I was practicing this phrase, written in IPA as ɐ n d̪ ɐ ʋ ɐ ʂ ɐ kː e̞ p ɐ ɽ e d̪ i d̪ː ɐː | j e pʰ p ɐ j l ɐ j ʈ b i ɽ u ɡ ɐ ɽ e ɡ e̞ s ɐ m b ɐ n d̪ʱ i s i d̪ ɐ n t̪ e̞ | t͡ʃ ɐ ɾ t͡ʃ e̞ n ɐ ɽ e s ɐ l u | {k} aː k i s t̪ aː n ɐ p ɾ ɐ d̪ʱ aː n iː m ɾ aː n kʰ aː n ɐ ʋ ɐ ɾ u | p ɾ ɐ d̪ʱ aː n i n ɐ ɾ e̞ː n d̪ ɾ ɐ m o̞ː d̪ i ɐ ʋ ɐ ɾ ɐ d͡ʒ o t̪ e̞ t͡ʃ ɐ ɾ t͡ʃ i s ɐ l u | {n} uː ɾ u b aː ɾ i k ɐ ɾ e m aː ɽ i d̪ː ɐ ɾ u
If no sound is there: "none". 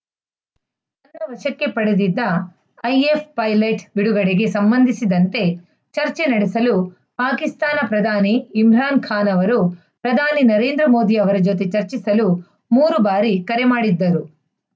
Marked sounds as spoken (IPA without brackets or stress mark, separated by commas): p, m